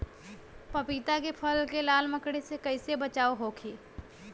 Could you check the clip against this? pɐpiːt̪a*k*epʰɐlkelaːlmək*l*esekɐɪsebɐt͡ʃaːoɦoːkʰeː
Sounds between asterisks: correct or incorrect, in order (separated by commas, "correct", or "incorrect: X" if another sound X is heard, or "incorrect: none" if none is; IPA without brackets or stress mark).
correct, incorrect: ɽ